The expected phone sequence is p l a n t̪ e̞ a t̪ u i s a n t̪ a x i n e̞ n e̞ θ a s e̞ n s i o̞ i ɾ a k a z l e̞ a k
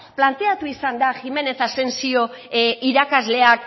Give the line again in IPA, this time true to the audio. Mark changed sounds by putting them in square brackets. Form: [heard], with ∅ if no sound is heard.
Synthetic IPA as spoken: p l a n t̪ e̞ a t̪ u i s a n [d̪] a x i [m] e̞ n e̞ θ a s e̞ n s i o̞ i ɾ a k a z l e̞ a k